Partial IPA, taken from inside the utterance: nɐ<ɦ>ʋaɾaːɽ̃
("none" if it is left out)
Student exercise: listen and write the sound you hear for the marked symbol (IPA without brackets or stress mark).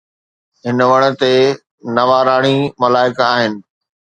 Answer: none